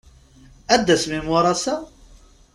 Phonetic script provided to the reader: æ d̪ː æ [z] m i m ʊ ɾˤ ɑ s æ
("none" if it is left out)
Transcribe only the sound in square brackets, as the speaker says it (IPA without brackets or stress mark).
s